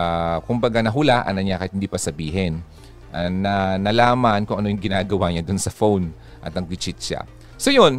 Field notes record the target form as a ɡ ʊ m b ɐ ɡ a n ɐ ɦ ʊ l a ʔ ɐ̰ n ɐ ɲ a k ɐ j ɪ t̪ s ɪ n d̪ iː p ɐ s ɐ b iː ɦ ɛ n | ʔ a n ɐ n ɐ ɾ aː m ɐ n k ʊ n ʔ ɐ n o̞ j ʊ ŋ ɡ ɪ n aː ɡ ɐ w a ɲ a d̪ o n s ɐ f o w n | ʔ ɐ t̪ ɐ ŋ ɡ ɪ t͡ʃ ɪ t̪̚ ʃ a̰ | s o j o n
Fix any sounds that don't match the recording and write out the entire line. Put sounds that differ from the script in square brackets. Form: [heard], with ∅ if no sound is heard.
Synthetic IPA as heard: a [k] ʊ m b ɐ ɡ a n ɐ ɦ ʊ l a ʔ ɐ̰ n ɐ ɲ a k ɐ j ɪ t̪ [h] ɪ n d̪ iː p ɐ s ɐ b iː ɦ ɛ n | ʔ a n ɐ n ɐ [l] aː m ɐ n k ʊ [ŋ] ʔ ɐ n o̞ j ʊ ŋ ɡ ɪ n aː ɡ ɐ w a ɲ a d̪ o n s ɐ f o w n | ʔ ɐ t̪ ɐ ŋ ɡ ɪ t͡ʃ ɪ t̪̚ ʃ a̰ | s o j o n